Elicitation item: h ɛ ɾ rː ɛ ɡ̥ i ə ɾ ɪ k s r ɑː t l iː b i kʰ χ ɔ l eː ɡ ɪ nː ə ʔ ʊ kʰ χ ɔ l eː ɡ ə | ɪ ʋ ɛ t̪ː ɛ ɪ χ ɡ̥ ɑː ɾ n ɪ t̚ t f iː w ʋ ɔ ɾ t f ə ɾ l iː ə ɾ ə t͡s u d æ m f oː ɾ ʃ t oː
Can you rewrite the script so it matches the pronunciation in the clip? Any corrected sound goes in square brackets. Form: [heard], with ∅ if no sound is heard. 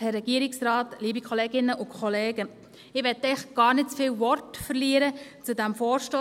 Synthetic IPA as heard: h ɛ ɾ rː ɛ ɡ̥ i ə ɾ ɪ k s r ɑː t l iː b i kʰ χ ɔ l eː ɡ ɪ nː ə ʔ ʊ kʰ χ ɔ l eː ɡ ə | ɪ ʋ ɛ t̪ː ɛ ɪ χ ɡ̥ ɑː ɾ n ɪ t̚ [t͡s] f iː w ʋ ɔ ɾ t f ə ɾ l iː ə ɾ ə t͡s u d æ m f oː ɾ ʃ t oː

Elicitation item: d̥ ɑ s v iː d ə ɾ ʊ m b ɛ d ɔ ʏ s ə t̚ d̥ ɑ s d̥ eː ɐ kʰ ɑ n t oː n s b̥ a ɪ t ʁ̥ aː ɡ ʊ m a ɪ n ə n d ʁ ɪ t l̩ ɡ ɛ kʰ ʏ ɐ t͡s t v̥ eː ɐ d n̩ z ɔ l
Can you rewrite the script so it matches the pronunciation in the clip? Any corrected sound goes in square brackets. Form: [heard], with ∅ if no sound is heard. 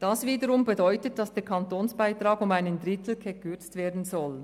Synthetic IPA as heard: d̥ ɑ s v iː d ə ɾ ʊ m b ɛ d ɔ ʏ [t] ə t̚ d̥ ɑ s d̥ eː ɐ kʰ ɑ n t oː n s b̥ a ɪ t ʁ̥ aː ɡ ʊ m a ɪ n ə n d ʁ ɪ t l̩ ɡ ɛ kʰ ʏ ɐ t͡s t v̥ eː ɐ d n̩ z ɔ l

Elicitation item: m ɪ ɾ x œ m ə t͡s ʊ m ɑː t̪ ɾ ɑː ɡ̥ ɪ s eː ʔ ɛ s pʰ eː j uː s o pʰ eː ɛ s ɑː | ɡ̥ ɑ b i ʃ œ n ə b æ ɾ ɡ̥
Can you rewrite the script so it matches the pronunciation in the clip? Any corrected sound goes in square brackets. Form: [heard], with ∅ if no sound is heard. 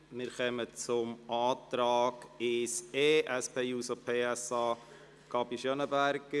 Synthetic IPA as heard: m ɪ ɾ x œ m ə t͡s ʊ m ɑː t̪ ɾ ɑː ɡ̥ ɪ s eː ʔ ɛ s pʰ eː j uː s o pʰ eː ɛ s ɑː | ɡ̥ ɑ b i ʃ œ n ə b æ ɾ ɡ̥

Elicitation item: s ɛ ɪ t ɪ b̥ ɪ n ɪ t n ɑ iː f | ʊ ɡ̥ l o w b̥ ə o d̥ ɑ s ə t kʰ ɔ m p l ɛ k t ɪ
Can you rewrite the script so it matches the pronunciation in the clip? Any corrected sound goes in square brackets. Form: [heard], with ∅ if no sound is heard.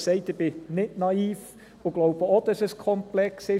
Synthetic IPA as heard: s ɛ ɪ t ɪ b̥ ɪ n ɪ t n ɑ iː f | ʊ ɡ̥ l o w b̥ ə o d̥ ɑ s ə [s] kʰ ɔ m p l ɛ k [s] ɪ

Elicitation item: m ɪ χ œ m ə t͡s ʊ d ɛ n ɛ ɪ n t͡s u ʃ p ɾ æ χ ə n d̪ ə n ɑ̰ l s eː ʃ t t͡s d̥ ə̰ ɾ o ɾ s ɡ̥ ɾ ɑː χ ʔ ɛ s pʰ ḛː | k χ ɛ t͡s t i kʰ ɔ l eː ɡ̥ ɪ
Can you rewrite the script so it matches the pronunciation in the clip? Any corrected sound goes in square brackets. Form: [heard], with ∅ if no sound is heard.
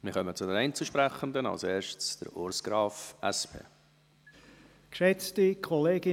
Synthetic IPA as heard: m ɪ χ œ m ə t͡s ʊ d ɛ n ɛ ɪ n t͡s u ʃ p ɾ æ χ ə n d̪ ə n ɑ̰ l s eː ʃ t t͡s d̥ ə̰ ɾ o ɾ s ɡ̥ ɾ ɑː [f] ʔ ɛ s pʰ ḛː | k [ʃ] ɛ t͡s t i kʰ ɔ l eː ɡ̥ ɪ

